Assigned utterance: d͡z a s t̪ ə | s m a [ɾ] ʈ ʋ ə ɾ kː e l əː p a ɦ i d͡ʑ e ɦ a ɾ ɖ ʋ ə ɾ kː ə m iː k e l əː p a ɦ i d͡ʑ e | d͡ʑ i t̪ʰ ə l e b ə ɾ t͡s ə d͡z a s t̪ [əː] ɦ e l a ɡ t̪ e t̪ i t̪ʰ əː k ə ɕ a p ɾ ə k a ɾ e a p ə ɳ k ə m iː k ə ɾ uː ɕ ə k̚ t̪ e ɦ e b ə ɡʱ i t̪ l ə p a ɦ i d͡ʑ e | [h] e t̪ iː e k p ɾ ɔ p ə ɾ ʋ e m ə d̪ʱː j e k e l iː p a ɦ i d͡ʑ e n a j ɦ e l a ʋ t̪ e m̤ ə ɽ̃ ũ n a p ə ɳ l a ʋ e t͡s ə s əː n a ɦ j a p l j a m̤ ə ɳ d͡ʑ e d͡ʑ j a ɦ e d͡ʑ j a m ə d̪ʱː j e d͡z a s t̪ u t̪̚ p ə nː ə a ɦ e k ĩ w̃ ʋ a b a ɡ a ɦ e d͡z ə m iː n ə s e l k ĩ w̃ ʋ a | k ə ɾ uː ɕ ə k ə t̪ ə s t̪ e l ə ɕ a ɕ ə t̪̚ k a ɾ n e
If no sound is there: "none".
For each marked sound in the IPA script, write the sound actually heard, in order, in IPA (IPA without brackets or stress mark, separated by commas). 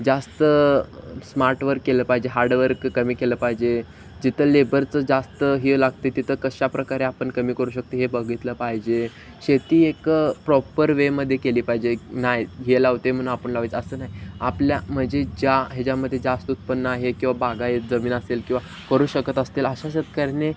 ɾ, ə, ɕ